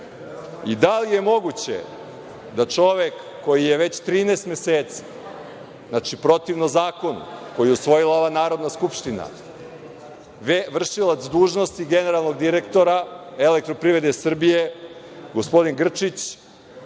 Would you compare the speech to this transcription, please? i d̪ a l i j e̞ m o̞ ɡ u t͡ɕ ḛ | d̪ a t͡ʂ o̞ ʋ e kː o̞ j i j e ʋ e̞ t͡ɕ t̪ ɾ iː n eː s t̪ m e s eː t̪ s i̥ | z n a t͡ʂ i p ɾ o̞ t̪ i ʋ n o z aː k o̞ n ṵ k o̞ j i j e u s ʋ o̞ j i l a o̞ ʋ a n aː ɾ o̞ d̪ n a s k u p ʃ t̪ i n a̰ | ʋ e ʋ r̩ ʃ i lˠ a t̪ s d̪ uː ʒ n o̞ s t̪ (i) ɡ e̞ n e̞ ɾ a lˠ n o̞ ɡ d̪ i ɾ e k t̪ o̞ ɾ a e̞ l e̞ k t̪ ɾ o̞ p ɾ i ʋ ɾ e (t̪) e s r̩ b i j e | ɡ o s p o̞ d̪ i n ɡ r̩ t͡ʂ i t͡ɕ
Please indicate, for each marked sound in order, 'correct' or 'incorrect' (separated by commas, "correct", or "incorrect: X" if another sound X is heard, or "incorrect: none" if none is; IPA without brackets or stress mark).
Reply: correct, incorrect: d̪